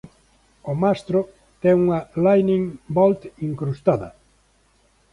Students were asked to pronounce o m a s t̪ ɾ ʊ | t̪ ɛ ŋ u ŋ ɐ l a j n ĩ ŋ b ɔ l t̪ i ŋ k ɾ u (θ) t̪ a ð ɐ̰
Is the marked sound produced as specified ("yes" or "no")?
no